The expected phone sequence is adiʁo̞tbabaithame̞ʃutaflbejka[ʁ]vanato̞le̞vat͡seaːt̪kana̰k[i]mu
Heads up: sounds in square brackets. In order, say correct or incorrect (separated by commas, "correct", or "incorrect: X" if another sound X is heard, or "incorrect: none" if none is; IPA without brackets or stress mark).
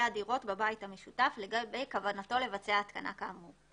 incorrect: none, incorrect: a